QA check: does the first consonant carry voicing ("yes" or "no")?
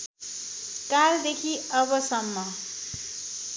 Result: no